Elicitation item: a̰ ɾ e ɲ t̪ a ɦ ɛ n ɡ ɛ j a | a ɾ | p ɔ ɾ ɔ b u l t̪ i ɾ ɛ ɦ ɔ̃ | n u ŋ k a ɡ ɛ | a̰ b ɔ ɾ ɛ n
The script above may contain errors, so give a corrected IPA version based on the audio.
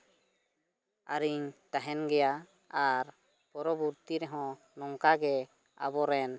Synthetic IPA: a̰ ɾ i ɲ t̪ a ɦ ɛ n ɡ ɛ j a | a ɾ | p ɔ ɾ ɔ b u ɾ t̪ i ɾ ɛ ɦ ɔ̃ | n ɔ ŋ k a ɡ ɛ | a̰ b ɔ ɾ ɛ n